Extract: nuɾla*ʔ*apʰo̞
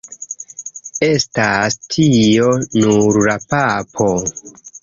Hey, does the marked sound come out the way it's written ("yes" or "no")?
no